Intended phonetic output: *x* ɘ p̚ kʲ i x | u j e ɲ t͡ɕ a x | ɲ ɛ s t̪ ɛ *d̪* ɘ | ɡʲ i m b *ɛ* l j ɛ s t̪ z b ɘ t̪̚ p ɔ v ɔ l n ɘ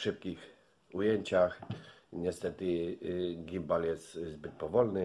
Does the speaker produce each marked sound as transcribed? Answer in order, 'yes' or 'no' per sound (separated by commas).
no, no, no